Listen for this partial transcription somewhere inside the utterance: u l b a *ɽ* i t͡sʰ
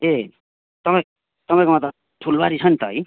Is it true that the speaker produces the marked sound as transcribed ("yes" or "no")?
no